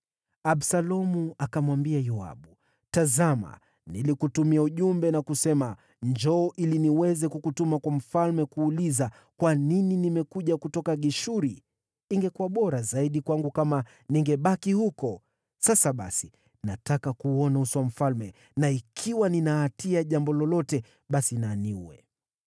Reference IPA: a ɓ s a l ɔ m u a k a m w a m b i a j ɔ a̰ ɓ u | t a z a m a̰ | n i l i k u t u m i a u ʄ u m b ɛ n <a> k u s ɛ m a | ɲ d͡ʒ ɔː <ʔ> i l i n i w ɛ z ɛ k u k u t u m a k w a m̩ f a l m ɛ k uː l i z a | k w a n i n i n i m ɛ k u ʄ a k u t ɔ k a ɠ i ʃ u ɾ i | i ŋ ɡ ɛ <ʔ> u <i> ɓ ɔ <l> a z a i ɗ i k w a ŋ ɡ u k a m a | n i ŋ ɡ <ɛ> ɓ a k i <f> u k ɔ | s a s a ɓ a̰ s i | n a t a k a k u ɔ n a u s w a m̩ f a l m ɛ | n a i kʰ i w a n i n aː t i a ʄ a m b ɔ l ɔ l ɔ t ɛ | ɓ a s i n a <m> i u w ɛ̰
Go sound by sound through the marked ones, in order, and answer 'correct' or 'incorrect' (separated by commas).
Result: correct, correct, incorrect, incorrect, incorrect, correct, incorrect, incorrect